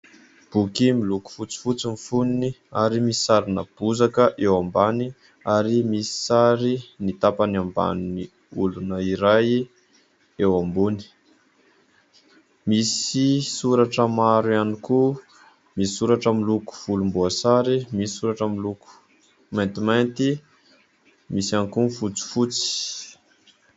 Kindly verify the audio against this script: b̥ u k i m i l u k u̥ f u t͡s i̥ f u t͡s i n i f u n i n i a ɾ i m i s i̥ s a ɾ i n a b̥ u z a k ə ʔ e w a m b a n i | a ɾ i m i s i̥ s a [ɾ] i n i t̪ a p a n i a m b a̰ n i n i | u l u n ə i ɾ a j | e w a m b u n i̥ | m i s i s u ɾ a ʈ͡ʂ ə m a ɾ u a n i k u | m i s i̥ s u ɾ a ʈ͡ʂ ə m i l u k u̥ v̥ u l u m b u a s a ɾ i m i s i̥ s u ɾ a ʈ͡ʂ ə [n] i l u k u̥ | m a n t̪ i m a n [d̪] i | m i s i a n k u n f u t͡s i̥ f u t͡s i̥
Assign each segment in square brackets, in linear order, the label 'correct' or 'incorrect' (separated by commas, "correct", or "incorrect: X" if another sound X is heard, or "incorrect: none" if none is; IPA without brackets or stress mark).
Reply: correct, incorrect: m, incorrect: t̪